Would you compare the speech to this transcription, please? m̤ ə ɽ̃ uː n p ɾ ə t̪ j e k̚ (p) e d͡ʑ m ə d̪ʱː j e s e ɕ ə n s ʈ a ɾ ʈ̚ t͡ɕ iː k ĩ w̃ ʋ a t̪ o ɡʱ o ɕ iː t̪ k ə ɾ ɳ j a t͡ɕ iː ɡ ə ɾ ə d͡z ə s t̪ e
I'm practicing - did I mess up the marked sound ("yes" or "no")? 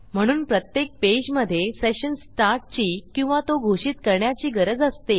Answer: no